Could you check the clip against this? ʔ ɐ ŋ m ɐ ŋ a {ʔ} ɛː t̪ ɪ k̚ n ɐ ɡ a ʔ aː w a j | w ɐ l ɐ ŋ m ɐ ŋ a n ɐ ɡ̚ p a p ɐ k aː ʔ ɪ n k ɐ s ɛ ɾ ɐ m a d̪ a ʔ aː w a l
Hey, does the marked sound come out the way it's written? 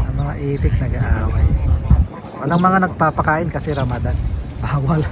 yes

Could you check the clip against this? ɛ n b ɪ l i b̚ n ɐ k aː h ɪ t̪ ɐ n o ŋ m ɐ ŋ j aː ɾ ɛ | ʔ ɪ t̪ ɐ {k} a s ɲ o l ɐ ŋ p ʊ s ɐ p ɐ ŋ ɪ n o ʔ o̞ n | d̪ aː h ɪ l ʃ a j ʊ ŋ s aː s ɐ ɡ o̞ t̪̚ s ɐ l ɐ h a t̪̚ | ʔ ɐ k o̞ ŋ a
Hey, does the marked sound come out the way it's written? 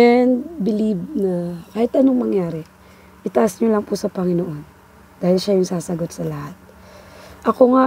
no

